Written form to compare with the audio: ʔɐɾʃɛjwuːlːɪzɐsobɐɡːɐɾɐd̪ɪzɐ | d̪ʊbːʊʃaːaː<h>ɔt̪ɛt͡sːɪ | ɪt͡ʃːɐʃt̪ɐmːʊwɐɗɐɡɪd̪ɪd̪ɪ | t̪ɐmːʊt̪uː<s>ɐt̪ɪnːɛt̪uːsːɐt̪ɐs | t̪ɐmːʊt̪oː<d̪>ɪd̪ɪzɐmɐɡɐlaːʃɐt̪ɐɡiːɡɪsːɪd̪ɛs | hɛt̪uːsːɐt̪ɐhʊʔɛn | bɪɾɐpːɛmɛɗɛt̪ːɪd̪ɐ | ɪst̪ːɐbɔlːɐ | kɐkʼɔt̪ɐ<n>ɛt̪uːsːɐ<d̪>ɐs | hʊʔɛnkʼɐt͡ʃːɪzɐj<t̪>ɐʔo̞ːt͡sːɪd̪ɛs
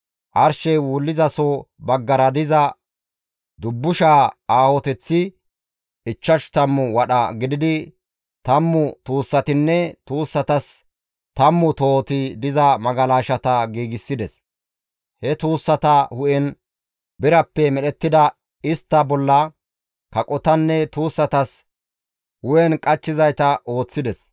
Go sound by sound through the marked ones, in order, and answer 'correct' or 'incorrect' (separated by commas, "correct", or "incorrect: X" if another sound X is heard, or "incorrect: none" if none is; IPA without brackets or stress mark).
correct, incorrect: sː, incorrect: t̪, incorrect: nː, incorrect: t̪, correct